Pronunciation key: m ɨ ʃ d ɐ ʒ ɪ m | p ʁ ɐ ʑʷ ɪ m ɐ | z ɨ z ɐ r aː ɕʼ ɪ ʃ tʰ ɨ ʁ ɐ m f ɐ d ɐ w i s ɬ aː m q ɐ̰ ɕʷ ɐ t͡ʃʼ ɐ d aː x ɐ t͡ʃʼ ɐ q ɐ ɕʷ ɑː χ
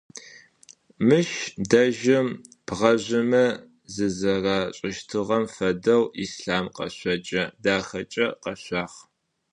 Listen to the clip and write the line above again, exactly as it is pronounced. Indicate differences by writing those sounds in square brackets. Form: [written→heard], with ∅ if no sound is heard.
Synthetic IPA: m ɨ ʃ d ɐ ʒ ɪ m | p ʁ ɐ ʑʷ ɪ m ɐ | z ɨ z ɐ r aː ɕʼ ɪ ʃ tʰ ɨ ʁ ɐ m f ɐ d ɐ w i s ɬ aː m q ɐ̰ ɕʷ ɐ t͡ʃʼ ɐ d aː x ɐ t͡ʃʼ ɐ q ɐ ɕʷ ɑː χ